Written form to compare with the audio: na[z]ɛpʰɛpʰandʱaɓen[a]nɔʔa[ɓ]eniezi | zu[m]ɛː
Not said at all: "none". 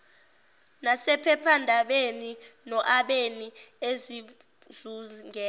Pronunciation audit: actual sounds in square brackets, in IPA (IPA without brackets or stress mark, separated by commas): s, i, ɓ, ŋ